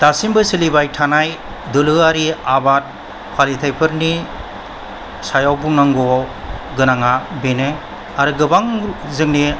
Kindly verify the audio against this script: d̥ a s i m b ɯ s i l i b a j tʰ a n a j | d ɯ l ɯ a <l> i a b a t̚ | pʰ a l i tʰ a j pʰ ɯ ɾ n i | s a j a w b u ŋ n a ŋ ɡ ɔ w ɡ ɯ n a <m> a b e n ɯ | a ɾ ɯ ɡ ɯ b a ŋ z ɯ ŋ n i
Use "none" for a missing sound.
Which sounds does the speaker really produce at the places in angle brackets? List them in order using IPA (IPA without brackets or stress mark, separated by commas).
ɾ, ŋ